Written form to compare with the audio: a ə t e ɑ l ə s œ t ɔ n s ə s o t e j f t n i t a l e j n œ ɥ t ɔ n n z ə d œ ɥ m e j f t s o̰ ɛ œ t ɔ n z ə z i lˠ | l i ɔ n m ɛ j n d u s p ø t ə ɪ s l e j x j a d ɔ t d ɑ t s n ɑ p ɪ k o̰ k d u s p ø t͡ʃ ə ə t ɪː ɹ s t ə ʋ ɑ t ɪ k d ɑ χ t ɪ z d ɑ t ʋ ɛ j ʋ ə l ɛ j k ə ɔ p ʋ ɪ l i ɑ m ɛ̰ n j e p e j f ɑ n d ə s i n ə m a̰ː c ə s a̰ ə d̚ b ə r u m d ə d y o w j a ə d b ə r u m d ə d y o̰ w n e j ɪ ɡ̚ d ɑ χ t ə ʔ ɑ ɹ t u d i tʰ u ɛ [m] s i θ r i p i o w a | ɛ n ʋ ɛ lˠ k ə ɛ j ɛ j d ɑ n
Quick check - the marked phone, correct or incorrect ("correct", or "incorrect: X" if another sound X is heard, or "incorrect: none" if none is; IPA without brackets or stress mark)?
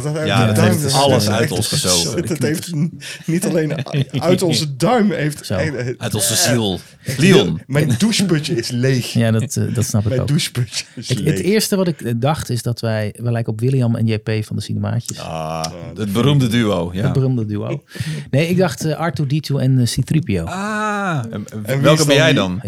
incorrect: n